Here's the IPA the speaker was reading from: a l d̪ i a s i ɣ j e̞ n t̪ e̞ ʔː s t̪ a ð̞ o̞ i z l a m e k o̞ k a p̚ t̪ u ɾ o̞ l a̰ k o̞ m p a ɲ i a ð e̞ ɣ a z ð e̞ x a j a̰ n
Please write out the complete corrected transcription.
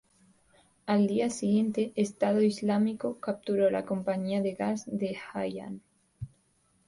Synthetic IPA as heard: a l d̪ i a s i ɣ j e̞ n t̪ e̞ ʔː s t̪ a ð̞ o̞ i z l a m i k o̞ k a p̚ t̪ u ɾ o̞ l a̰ k o̞ m p a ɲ i a ð e̞ ɣ a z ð e̞ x a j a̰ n